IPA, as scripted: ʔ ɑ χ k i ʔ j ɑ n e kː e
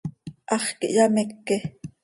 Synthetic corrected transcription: ʔ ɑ χ k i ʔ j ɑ m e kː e